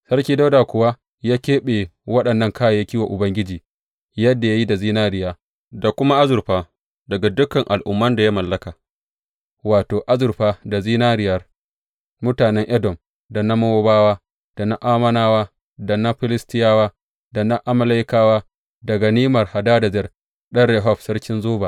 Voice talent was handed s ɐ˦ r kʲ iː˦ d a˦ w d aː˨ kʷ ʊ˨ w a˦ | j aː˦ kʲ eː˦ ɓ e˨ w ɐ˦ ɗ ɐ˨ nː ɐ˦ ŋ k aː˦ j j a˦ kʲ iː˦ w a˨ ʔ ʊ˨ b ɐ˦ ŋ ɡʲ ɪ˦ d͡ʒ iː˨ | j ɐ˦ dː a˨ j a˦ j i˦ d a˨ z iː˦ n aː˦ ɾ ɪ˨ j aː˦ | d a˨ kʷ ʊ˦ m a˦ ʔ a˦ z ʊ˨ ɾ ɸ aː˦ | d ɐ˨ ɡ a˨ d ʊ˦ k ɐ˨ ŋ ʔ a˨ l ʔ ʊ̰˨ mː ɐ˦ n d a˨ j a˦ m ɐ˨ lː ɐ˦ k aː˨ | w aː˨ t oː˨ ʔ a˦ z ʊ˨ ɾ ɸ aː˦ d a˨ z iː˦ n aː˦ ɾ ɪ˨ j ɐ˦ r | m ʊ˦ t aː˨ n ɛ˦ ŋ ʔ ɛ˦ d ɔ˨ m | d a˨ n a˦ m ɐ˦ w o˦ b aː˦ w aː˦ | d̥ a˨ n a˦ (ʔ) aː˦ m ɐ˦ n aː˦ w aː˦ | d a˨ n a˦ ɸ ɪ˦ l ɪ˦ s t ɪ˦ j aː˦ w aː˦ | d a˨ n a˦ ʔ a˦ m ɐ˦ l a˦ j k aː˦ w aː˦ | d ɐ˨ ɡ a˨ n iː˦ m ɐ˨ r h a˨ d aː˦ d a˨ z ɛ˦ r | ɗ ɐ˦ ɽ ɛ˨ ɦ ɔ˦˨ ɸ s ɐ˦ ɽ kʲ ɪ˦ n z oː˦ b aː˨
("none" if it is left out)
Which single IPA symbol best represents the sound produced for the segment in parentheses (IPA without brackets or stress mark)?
ʔ